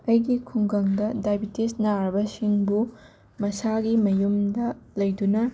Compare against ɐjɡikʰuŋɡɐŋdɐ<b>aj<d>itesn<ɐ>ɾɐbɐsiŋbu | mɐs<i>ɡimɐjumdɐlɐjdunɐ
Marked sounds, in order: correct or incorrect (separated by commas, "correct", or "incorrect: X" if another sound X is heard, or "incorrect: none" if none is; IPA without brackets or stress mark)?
incorrect: d, incorrect: b, incorrect: a, incorrect: a